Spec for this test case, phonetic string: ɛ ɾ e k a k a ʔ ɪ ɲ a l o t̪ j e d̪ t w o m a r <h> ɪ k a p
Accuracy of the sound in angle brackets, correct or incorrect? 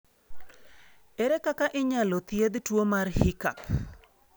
correct